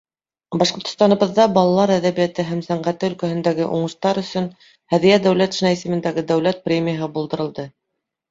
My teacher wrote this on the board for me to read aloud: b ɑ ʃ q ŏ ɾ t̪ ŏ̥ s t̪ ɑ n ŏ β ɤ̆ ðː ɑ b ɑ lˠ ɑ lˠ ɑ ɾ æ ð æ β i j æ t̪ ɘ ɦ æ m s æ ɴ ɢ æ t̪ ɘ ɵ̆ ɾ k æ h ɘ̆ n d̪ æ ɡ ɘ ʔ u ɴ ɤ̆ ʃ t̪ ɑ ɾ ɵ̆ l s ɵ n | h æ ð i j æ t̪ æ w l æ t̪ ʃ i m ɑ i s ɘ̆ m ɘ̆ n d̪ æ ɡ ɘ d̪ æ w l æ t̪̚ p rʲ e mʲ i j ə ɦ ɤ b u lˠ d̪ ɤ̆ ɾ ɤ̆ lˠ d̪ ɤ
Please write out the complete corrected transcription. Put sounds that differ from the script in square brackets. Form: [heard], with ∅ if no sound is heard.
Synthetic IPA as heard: b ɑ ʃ q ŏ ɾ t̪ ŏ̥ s t̪ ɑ n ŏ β ɤ̆ ðː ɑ b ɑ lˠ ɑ lˠ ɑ ɾ æ ð æ β i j æ t̪ ɘ ɦ æ m s æ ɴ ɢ æ t̪ ɘ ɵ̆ [l] k æ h ɘ̆ n d̪ æ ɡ ɘ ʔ u ɴ ɤ̆ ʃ t̪ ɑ ɾ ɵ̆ [∅] s ɵ n | h æ ð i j æ [d̪] æ w l æ t̪ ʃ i [n] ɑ i s ɘ̆ m ɘ̆ n d̪ æ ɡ ɘ d̪ æ w l æ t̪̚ p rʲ e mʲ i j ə ɦ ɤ b u lˠ d̪ ɤ̆ ɾ ɤ̆ lˠ d̪ ɤ